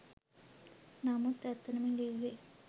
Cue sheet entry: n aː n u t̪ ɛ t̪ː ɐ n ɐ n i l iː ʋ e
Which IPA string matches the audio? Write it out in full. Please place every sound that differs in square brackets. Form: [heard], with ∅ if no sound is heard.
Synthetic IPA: n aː [m] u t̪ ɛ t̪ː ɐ n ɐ [m] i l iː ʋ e